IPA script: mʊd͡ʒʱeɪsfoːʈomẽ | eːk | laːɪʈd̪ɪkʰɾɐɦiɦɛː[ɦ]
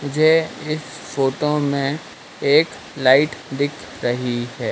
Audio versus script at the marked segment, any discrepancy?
yes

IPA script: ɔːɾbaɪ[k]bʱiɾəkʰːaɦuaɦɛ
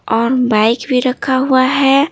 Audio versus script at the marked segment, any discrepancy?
no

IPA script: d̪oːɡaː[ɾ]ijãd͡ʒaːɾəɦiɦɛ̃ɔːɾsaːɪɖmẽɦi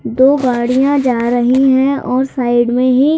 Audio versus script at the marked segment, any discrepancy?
yes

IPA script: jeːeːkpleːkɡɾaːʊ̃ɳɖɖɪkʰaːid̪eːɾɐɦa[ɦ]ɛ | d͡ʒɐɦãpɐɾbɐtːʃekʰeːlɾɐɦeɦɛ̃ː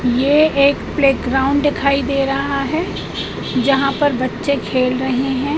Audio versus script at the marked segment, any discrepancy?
no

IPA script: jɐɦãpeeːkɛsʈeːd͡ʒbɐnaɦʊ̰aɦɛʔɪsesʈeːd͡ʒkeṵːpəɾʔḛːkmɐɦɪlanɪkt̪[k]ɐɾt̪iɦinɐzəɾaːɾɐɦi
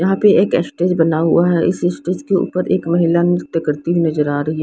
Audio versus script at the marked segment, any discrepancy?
no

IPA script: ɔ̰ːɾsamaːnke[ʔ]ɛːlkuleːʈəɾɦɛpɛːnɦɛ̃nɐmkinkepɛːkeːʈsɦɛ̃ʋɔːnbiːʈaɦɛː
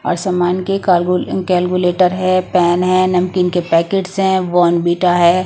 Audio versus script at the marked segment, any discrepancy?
yes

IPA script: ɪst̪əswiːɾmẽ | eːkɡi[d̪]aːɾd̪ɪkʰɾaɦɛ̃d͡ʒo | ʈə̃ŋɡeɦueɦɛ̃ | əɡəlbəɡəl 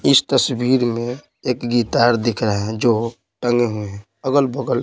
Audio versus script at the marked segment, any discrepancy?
yes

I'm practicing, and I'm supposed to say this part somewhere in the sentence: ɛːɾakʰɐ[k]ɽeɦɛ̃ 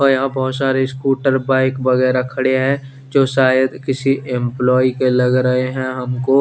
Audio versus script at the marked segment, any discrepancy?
yes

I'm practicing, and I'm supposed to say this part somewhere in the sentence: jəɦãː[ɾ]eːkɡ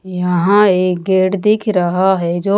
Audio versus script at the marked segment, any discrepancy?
yes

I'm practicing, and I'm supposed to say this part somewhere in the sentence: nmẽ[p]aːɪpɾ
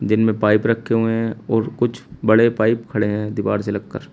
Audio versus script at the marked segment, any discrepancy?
no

